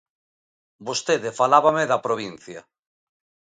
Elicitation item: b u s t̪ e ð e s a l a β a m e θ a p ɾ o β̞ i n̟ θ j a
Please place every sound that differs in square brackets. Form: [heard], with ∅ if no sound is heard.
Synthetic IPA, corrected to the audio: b [o] s t̪ e ð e [f] a l a β a m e [ð] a p ɾ o β̞ i n̟ θ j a